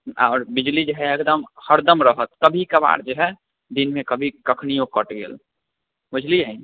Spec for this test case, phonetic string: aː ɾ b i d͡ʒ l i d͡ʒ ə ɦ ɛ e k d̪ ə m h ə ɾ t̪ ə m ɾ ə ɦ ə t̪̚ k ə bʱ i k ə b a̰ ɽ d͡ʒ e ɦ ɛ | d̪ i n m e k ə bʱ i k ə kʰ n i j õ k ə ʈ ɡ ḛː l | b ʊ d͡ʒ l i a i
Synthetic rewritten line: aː ɾ b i d͡ʒ l i d͡ʒ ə ɦ ɛ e k d̪ ə m h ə ɾ d̪ ə m ɾ ə ɦ ə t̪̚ k ə bʱ i k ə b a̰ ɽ d͡ʒ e ɦ ɛ | d̪ i n m e k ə bʱ i k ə kʰ n i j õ k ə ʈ ɡ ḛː l | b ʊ d͡ʒ l i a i